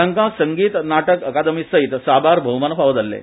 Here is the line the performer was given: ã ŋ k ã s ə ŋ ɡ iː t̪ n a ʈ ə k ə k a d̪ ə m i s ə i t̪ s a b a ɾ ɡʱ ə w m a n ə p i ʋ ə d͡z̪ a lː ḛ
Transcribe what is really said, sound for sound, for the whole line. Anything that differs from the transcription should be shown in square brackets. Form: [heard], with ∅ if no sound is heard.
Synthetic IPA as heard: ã ŋ k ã s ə ŋ ɡ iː t̪ n a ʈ ə k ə k a d̪ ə m i s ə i t̪ s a b a ɾ [bʱ] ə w m a n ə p [a] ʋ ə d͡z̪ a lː ḛ